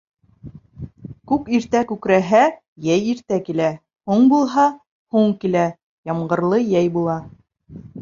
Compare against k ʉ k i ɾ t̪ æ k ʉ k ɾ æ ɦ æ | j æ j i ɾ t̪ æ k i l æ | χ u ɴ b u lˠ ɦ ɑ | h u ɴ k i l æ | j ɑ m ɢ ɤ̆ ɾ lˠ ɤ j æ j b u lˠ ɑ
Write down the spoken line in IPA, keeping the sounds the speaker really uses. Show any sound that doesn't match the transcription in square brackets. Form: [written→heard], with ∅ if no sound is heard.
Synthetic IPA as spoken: k ʉ k i ɾ t̪ æ k ʉ k ɾ æ ɦ æ | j æ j i ɾ t̪ æ k i l æ | [χ→h] u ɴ b u lˠ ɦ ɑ | h u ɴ k i l æ | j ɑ m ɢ ɤ̆ ɾ lˠ ɤ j æ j b u lˠ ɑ

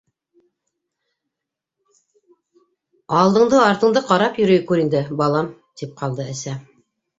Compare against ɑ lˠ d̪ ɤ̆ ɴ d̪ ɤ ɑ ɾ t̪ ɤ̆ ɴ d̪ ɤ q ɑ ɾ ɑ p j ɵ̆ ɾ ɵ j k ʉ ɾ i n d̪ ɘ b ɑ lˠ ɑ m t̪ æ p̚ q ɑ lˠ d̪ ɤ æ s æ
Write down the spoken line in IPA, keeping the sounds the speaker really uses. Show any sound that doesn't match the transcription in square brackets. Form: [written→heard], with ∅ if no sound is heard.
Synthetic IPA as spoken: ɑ lˠ d̪ ɤ̆ ɴ d̪ ɤ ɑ ɾ t̪ ɤ̆ ɴ d̪ ɤ q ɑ ɾ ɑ p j ɵ̆ ɾ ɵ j k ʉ ɾ i n d̪ ɘ b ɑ lˠ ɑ m t̪ [æ→i] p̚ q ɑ lˠ d̪ ɤ æ s æ

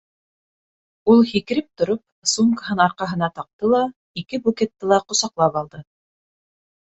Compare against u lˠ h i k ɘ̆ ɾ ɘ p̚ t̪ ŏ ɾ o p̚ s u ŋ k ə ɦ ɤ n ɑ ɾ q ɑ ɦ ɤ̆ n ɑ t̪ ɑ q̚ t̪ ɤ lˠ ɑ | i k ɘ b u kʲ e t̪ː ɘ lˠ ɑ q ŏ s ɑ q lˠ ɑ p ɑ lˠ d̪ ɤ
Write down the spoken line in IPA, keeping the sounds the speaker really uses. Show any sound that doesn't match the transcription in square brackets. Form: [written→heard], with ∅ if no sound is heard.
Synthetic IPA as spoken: u lˠ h i k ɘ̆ ɾ ɘ p̚ t̪ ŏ ɾ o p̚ s u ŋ k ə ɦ ɤ n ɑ ɾ q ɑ ɦ ɤ̆ n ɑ t̪ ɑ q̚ t̪ ɤ lˠ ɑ | i k ɘ b u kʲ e t̪ː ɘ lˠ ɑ q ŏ s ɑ q lˠ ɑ p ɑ lˠ d̪ ɤ

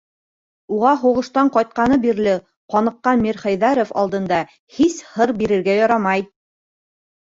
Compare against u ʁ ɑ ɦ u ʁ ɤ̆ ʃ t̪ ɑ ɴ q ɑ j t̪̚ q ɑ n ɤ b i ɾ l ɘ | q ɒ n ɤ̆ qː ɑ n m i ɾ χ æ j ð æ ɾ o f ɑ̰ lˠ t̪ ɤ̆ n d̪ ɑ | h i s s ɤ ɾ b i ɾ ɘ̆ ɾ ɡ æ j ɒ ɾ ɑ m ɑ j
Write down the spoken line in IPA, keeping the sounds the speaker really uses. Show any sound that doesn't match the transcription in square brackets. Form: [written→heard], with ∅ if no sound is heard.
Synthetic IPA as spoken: u ʁ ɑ ɦ u ʁ ɤ̆ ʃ t̪ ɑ ɴ q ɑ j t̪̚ q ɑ n ɤ b i ɾ l ɘ | q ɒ n ɤ̆ qː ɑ n m i ɾ χ æ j ð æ ɾ o f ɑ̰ lˠ [t̪→d̪] ɤ̆ n d̪ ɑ | h i s [s→h] ɤ ɾ b i ɾ ɘ̆ ɾ ɡ æ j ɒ ɾ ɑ m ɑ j

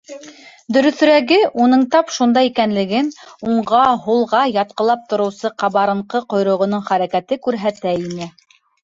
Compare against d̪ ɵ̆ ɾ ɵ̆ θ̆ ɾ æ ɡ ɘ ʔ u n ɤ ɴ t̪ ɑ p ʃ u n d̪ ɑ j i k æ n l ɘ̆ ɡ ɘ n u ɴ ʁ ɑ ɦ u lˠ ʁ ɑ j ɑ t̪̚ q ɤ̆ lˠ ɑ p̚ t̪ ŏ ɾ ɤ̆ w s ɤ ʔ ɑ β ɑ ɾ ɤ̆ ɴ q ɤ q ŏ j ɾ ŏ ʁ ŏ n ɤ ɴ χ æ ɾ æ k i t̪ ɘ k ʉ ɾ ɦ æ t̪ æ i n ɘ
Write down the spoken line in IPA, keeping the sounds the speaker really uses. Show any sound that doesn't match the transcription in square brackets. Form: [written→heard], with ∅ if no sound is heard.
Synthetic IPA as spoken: d̪ ɵ̆ ɾ ɵ̆ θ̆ ɾ æ ɡ ɘ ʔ u n ɤ ɴ t̪ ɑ p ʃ u n d̪ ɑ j i k æ n l ɘ̆ ɡ ɘ n u ɴ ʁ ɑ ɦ u lˠ ʁ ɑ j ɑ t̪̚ q ɤ̆ lˠ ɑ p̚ t̪ ŏ ɾ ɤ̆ w s ɤ [ʔ→q] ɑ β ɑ ɾ ɤ̆ ɴ q ɤ q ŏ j ɾ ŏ ʁ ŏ n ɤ ɴ χ æ ɾ æ k [i→æ] t̪ ɘ k ʉ ɾ ɦ æ t̪ æ i n ɘ

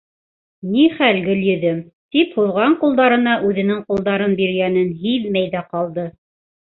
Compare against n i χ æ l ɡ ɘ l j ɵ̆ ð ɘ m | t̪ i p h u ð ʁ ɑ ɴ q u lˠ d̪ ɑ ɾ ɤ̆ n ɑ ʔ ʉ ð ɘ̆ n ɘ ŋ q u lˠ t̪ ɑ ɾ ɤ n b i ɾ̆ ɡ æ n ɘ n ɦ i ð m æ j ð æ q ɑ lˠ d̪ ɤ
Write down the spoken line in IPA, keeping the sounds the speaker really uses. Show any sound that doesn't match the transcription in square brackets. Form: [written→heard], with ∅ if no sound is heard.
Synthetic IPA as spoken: n i χ æ l ɡ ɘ l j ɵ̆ ð ɘ m | t̪ i p h u ð ʁ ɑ ɴ q u lˠ d̪ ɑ ɾ ɤ̆ n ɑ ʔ ʉ ð ɘ̆ n ɘ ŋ q u lˠ [t̪→d̪] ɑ ɾ ɤ n b i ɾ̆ ɡ æ n ɘ n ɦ i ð m æ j ð æ q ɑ lˠ d̪ ɤ

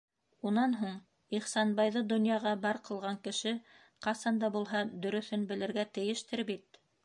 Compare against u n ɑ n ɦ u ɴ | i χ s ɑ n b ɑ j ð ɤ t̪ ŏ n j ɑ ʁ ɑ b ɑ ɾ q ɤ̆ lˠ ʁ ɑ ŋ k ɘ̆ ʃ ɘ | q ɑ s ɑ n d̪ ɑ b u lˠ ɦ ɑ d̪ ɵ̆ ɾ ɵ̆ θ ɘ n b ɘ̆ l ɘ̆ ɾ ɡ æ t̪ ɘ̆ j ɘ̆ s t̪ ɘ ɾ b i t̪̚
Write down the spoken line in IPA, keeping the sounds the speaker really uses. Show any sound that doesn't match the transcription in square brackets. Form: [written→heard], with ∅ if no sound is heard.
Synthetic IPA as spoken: u n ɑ n ɦ u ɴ | i χ s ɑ n b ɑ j ð ɤ [t̪→d̪] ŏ n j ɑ ʁ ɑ b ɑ ɾ q ɤ̆ lˠ ʁ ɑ ŋ k ɘ̆ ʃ ɘ | q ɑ s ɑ n d̪ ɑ b u lˠ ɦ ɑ d̪ ɵ̆ ɾ ɵ̆ θ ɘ n b ɘ̆ l ɘ̆ ɾ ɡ æ t̪ ɘ̆ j ɘ̆ [s→ʃ] t̪ ɘ ɾ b i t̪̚

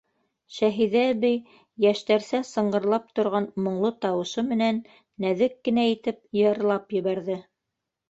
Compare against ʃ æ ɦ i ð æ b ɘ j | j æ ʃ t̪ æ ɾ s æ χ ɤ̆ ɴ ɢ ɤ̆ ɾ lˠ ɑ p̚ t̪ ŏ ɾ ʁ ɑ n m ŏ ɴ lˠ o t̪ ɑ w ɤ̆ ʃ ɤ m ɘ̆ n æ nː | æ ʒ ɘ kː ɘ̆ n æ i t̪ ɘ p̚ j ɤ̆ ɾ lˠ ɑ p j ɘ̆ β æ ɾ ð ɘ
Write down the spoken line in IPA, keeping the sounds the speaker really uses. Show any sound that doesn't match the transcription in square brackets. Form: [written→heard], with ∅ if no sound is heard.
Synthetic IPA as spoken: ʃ æ ɦ i ð æ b ɘ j | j æ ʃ t̪ æ ɾ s æ [χ→s] ɤ̆ ɴ ɢ ɤ̆ ɾ lˠ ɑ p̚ t̪ ŏ ɾ ʁ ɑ n m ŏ ɴ lˠ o t̪ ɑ w ɤ̆ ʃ ɤ m ɘ̆ n æ nː | æ [ʒ→ð] ɘ kː ɘ̆ n æ i t̪ ɘ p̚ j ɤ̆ ɾ lˠ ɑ p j ɘ̆ β æ ɾ ð ɘ

